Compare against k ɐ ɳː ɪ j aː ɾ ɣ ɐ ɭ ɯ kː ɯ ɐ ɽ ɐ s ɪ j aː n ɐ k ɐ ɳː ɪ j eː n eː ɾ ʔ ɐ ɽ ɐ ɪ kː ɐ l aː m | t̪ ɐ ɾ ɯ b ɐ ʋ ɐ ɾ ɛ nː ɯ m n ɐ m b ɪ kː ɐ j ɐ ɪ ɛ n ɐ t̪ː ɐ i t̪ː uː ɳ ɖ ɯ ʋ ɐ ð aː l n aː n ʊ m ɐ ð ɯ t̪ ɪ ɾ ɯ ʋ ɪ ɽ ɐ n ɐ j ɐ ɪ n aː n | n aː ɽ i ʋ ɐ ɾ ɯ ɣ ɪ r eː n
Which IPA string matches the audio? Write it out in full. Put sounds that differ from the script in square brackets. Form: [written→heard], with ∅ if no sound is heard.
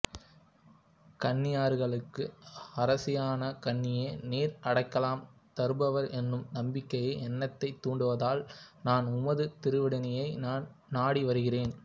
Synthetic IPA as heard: k ɐ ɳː ɪ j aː ɾ ɣ ɐ ɭ ɯ kː ɯ ɐ [ɽ→ɾ] ɐ s ɪ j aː n ɐ k ɐ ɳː ɪ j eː n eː ɾ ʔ ɐ ɽ ɐ ɪ kː ɐ l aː m | t̪ ɐ ɾ ɯ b ɐ ʋ ɐ ɾ ɛ nː ɯ m n ɐ m b ɪ kː ɐ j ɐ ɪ ɛ [n→nː] ɐ t̪ː ɐ [i→ɪ] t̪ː uː ɳ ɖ ɯ ʋ ɐ ð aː l n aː n ʊ m ɐ ð ɯ t̪ ɪ ɾ ɯ ʋ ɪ ɽ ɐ n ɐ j ɐ ɪ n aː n | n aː ɽ i ʋ ɐ ɾ ɯ ɣ ɪ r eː n